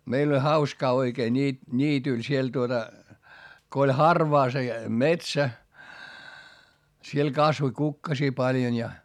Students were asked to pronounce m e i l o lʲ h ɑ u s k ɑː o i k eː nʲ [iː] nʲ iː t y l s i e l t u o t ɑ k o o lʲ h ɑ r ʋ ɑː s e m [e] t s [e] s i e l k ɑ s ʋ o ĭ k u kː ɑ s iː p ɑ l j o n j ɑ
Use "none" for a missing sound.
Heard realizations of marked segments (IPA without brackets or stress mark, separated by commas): iː, e, æ